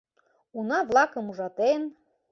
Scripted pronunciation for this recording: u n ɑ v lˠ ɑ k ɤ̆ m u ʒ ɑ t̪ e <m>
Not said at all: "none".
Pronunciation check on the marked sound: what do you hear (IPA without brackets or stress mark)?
n